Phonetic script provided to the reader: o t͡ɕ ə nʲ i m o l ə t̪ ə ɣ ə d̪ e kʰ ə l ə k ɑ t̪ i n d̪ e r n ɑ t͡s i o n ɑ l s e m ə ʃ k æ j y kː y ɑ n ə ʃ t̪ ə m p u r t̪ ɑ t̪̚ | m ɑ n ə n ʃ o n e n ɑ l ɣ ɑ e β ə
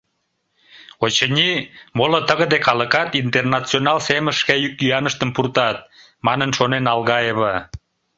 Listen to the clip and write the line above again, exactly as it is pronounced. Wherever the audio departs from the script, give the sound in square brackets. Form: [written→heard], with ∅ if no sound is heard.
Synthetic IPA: o t͡ɕ ə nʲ i m o l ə t̪ ə ɣ ə d̪ e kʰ [ə→ɑ] l ə k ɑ t̪ i n [d̪→t̪] e r n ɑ t͡s i o n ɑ l s e m ə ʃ k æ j y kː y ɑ n ə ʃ t̪ ə m p u r t̪ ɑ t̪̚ | m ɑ n ə n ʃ o n e n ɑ l ɣ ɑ e β ə